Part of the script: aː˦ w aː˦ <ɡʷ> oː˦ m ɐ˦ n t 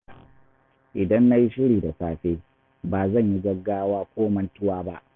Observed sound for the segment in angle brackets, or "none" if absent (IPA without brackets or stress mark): kʷ